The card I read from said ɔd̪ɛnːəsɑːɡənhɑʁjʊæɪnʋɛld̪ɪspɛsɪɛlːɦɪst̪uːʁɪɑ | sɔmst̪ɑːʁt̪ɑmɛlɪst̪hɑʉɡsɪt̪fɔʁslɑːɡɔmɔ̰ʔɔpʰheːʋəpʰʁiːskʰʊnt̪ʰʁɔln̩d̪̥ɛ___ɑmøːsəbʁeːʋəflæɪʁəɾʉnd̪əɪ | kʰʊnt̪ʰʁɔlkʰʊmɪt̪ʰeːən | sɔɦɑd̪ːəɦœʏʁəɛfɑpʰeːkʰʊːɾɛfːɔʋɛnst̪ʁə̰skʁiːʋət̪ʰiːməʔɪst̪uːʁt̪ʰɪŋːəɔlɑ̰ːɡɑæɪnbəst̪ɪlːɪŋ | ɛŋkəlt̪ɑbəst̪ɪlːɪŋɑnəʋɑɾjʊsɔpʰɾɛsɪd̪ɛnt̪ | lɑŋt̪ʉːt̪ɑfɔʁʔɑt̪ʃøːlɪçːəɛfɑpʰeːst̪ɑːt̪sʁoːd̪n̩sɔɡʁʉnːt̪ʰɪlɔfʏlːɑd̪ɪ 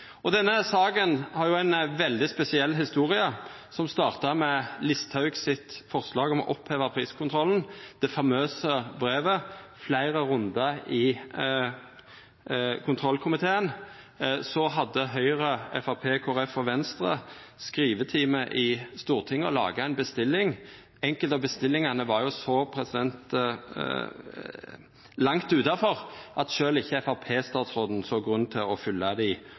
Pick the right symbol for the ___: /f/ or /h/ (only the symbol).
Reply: f